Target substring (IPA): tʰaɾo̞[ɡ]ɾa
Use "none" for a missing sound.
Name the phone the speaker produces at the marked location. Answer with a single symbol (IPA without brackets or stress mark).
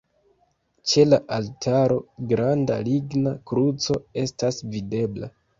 ɡ